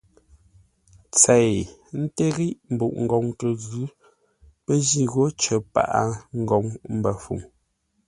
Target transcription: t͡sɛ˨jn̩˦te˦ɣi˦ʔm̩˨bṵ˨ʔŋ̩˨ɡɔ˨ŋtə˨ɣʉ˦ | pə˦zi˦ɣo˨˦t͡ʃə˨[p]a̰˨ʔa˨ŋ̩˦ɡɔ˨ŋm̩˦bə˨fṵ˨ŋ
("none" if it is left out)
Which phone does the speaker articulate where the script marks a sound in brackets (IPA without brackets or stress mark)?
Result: p